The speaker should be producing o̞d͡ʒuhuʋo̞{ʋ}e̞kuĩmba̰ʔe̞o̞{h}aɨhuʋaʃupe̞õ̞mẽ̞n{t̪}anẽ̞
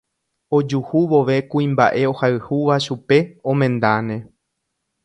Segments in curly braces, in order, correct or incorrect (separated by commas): correct, correct, incorrect